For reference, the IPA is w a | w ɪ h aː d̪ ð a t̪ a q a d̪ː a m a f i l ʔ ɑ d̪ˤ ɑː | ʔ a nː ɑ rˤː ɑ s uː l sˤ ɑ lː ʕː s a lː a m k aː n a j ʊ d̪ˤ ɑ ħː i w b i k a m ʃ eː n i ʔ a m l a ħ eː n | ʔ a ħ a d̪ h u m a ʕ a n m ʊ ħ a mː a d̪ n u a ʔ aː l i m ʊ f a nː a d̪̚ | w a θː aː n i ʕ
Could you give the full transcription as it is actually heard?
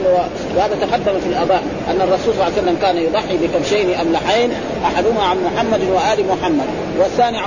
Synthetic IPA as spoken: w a | w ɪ h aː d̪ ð a t̪ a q a d̪ː a m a f i l ʔ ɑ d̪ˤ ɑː | ʔ a nː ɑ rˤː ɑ s uː l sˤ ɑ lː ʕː s a lː a m k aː n a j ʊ d̪ˤ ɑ ħː i b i k a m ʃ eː n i ʔ a m l a ħ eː n | ʔ a ħ a d̪ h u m a ʕ a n m ʊ ħ a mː a d̪ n w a ʔ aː l i m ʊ ħ a mː a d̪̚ | w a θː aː n i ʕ